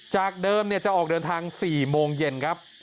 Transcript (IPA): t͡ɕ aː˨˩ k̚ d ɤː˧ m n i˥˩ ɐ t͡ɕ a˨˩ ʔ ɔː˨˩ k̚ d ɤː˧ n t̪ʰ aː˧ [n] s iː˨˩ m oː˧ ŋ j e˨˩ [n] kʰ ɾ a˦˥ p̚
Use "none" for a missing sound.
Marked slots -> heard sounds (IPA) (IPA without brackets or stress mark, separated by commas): ŋ, n